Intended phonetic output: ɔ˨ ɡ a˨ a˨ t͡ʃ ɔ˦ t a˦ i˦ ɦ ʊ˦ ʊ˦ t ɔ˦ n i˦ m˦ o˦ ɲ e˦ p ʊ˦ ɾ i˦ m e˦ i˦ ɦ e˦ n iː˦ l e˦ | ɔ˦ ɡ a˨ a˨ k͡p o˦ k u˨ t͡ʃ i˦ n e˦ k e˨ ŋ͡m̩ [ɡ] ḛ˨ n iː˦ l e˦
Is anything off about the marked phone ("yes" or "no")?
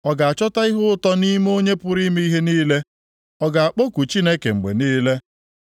yes